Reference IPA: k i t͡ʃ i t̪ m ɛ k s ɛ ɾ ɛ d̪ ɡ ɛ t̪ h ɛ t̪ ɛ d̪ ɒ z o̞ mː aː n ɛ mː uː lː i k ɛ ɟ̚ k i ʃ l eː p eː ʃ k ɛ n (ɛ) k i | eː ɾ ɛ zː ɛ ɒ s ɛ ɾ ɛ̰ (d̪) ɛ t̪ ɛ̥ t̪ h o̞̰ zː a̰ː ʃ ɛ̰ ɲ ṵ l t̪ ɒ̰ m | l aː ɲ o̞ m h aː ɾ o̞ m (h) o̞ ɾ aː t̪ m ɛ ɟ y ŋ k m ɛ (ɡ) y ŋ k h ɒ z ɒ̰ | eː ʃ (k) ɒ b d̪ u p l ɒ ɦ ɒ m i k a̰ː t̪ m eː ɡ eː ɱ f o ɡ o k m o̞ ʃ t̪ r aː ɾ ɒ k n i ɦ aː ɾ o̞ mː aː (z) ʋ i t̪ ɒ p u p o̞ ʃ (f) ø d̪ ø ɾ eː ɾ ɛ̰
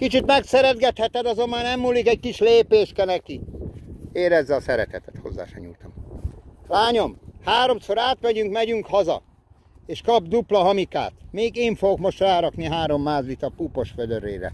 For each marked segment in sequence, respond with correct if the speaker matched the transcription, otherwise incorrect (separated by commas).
correct, incorrect, incorrect, incorrect, correct, correct, correct